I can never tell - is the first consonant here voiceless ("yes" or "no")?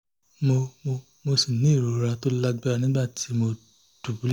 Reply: no